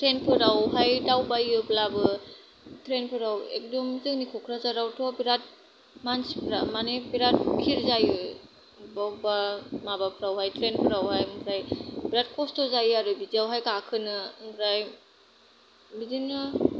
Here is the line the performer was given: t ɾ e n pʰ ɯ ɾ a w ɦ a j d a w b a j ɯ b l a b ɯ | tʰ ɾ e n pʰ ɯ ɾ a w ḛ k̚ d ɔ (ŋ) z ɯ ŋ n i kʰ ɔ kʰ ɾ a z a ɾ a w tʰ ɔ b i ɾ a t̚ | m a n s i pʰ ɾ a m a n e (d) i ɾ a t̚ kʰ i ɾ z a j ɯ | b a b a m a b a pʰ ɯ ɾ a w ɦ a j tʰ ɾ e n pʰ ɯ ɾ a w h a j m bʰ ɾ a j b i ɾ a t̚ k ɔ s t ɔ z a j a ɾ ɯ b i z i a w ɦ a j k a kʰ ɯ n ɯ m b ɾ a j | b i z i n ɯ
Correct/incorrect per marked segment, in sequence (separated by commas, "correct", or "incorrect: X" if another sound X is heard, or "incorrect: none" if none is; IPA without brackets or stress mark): incorrect: m, incorrect: b